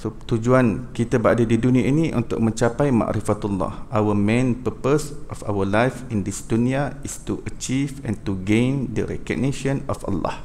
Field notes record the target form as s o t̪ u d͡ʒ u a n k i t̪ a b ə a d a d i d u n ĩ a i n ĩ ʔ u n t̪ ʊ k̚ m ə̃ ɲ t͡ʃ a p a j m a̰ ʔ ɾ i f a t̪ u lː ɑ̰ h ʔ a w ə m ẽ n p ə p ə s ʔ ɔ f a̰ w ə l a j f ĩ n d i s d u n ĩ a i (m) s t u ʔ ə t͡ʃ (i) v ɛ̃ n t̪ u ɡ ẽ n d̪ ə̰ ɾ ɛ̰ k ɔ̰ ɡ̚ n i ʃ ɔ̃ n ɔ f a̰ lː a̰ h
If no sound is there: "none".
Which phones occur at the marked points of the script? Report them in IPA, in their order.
none, i

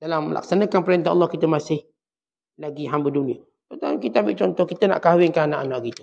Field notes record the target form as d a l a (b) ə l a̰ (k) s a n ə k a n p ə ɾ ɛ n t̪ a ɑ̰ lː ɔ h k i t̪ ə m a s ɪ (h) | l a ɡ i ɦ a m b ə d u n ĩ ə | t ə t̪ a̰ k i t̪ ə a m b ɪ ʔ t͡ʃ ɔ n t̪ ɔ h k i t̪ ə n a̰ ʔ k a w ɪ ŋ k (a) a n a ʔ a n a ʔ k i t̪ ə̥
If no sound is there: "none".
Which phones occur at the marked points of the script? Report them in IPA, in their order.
m, k, h, a

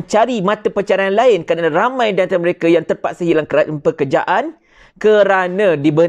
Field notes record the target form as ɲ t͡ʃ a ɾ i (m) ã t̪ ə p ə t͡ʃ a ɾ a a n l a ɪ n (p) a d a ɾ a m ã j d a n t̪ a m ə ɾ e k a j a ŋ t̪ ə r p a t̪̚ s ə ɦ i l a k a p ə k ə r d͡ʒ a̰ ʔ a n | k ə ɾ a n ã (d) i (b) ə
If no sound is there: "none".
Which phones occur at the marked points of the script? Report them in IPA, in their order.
m, k, d, b

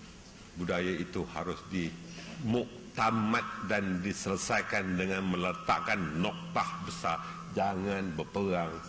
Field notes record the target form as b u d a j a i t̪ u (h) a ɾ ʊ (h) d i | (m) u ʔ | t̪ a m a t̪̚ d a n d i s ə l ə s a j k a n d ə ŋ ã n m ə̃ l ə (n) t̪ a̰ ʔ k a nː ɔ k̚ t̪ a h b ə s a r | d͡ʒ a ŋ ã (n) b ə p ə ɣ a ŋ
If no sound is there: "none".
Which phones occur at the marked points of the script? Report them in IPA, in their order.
h, s, m, none, n

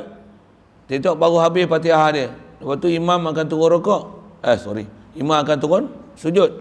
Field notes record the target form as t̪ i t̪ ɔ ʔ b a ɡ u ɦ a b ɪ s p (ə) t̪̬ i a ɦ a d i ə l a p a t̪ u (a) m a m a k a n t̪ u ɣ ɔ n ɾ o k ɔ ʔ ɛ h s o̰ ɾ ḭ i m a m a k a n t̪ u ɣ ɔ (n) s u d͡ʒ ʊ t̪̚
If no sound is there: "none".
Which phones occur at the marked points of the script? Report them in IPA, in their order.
a, i, n

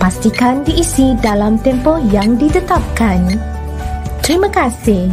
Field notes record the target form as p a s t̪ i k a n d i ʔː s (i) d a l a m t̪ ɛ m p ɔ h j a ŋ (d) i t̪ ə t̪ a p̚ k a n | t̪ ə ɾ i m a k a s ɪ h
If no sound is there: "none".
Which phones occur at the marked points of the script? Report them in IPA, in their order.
i, d

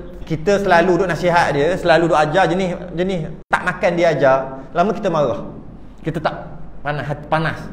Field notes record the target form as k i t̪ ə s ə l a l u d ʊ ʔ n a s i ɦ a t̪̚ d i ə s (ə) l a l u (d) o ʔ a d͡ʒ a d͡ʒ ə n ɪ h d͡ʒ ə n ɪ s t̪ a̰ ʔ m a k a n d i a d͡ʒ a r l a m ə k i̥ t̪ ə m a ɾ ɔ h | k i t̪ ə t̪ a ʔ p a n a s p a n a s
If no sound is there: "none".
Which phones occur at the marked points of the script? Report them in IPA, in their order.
ə, d

